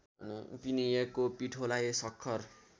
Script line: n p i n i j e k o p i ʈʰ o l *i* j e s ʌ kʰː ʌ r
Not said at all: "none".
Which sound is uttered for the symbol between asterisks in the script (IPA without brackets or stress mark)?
a